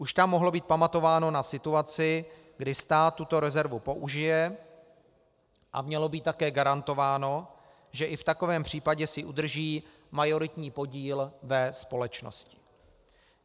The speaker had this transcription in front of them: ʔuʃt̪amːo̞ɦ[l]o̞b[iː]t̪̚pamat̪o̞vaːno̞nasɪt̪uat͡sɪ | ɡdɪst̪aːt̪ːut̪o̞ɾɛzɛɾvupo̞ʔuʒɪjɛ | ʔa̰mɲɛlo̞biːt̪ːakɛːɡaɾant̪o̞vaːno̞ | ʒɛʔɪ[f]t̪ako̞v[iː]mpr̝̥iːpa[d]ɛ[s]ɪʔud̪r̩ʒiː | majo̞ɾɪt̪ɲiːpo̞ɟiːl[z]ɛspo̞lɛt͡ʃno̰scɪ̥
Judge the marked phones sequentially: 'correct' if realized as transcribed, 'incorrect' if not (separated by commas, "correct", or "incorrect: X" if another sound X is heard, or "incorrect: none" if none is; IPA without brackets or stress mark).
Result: correct, correct, correct, incorrect: ɛː, incorrect: ɟ, correct, incorrect: v